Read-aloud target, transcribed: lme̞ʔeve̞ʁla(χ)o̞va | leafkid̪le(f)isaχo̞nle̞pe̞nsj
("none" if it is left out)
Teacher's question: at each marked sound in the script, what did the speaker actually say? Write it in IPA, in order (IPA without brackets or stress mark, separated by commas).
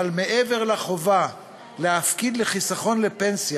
χ, χ